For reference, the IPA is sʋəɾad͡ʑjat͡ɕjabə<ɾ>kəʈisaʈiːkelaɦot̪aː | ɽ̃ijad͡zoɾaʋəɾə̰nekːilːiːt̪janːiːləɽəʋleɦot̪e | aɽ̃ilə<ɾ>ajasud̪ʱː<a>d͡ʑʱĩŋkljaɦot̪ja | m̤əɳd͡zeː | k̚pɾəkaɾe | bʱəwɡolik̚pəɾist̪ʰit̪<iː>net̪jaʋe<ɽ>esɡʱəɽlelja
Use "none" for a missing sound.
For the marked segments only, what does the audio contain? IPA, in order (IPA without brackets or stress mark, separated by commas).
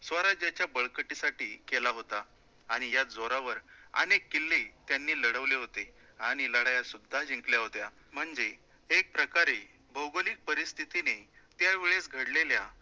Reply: ɭ, ɽ, a, i, ɭ